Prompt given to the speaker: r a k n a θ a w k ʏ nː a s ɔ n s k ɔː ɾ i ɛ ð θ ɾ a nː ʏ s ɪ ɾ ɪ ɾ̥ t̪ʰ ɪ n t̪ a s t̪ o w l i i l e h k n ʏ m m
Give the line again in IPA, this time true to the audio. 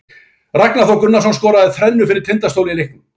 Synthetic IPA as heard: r a k n a θ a w k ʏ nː a s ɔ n s k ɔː ɾ a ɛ ð θ ɾ ɛ nː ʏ f ɪ ɾ ɪ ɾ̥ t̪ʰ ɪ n t̪ a s t̪ o w l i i l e h k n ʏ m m